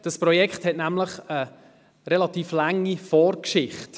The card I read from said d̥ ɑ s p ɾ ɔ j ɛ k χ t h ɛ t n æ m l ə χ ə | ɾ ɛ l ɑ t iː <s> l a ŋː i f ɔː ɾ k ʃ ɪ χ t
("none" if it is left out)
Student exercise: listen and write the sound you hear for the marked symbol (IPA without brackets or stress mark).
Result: f